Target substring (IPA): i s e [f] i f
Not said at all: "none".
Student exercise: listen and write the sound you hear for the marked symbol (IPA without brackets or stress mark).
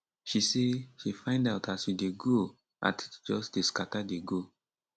ʃ